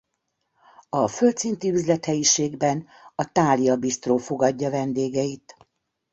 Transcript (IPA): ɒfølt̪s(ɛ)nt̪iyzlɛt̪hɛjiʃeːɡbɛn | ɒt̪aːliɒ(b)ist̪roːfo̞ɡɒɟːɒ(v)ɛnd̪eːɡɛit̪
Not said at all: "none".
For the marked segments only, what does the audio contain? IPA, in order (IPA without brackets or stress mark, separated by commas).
i, b, v